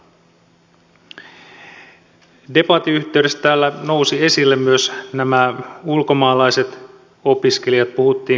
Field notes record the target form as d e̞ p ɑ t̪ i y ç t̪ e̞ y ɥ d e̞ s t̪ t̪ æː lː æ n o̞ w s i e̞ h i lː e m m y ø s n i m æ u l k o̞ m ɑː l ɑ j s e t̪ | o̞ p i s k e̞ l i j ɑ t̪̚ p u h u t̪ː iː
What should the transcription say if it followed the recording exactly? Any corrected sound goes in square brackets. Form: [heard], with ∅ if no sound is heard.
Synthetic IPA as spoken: d e̞ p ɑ t̪ i y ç t̪ e̞ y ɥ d e̞ s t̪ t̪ æː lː æ n o̞ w s i e̞ [s] i lː e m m y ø s n [æ] m æ u l k o̞ m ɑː l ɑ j s e t̪ | o̞ p i s k e̞ l i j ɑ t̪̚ p u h u t̪ː iː